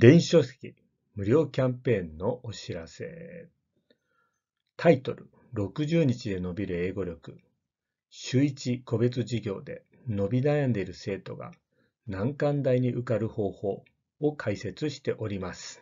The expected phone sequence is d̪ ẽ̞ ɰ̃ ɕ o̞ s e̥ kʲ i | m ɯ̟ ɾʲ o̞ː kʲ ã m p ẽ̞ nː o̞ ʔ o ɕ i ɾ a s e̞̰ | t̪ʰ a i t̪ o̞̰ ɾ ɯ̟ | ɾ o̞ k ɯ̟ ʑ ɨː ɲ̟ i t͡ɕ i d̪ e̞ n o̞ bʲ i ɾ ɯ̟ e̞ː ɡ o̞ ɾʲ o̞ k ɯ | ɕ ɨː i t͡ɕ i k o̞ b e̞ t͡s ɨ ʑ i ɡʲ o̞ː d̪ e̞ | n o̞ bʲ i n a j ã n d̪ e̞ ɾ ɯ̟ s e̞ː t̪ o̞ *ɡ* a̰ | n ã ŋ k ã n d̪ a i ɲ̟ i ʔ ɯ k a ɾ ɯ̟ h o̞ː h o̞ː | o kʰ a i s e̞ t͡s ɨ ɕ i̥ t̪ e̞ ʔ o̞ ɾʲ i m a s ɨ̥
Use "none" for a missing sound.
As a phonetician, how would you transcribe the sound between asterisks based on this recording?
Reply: ɡ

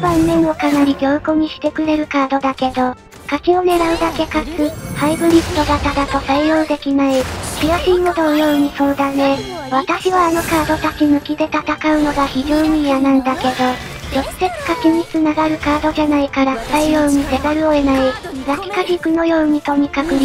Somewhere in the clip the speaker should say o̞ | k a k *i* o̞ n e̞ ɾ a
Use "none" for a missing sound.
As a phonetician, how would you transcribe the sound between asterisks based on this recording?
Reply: i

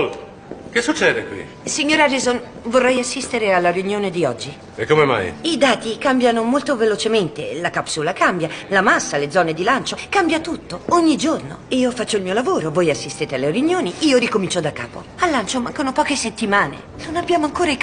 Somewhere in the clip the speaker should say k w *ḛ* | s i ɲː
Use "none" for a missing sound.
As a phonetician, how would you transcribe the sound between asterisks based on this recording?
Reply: ḭ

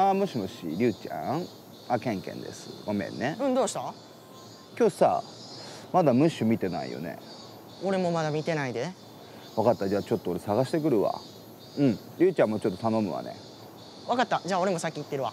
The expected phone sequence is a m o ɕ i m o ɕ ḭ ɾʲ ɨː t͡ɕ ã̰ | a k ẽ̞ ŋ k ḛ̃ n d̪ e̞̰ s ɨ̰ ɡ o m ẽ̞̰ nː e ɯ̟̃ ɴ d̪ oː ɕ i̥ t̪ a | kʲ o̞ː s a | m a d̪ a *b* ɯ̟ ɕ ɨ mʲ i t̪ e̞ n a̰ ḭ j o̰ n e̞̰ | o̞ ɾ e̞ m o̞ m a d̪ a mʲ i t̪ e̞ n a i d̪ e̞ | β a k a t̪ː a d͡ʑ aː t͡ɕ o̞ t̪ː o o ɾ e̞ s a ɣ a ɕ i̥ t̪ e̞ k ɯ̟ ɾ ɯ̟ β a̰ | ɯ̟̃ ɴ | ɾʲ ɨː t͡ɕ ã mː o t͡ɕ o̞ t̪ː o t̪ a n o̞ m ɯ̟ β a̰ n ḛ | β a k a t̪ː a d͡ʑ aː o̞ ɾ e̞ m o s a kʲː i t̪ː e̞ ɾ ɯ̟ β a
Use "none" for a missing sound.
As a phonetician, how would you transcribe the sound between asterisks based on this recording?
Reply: m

